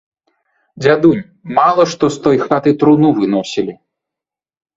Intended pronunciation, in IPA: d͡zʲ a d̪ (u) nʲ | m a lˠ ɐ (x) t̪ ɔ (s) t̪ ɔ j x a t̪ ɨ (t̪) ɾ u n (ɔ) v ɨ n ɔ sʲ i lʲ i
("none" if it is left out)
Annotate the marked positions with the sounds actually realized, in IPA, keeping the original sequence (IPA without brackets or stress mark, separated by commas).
u, ʂ, s, t̪, u